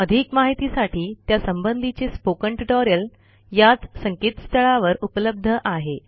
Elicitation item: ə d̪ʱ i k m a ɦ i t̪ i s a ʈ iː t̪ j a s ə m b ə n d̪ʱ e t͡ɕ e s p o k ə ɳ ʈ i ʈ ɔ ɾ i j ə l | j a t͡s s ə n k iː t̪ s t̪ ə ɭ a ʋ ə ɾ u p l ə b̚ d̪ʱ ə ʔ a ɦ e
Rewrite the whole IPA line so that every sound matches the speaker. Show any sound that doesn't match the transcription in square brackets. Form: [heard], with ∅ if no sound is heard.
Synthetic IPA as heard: ə d̪ʱ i k m a ɦ i t̪ i s a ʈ iː t̪ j a s ə m b ə n d̪ʱ [i] t͡ɕ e s p o k ə ɳ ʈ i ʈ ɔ ɾ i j ə l | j a t͡s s ə [ŋ] k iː t̪ s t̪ ə ɭ a ʋ ə ɾ u p l ə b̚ d̪ʱ ə ʔ a ɦ e